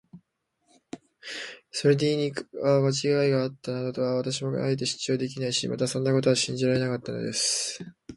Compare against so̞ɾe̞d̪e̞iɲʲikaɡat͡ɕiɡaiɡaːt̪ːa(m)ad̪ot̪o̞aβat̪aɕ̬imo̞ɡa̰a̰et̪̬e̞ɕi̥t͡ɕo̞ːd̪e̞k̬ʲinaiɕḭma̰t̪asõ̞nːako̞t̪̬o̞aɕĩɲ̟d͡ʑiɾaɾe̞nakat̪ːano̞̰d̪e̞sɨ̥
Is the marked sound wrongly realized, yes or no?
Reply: yes